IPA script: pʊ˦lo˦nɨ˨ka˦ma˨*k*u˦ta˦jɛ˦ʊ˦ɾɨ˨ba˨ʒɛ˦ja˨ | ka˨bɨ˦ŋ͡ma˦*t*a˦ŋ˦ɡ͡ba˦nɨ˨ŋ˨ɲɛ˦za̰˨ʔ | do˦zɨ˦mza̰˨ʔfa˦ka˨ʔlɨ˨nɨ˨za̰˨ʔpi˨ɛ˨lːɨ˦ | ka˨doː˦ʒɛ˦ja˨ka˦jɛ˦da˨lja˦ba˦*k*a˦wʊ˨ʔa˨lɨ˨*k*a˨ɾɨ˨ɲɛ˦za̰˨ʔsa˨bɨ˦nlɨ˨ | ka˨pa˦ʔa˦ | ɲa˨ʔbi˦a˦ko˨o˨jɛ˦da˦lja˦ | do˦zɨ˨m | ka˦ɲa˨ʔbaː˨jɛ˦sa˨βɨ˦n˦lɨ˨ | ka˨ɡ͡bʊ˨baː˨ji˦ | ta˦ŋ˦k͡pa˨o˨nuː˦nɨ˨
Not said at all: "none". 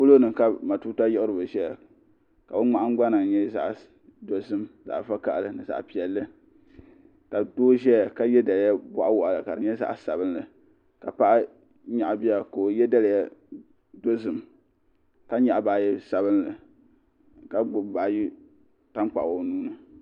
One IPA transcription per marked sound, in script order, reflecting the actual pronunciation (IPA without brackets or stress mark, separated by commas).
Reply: t, ʔ, ʔ, k